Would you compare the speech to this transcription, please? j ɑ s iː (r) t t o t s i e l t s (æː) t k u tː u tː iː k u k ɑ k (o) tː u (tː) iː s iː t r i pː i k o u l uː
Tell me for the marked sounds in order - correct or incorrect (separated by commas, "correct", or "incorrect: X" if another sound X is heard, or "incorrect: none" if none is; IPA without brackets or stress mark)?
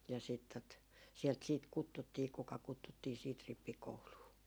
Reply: incorrect: none, incorrect: iː, incorrect: u, correct